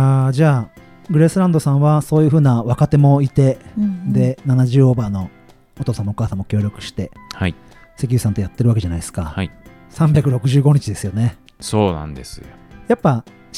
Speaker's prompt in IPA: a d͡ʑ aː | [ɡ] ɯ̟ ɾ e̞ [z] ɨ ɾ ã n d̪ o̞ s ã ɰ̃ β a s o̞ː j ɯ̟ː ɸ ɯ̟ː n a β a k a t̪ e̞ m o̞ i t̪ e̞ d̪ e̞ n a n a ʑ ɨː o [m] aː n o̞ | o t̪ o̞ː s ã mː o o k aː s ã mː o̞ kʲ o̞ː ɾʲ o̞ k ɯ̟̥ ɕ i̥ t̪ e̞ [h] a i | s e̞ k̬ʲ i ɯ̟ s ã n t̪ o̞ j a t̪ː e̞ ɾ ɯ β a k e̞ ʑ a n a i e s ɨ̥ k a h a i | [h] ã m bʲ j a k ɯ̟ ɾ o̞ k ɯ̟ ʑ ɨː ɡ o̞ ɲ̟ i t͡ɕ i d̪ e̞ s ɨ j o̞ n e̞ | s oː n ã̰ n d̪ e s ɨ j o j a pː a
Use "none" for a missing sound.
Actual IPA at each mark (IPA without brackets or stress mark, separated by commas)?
ɡ, s, b, h, s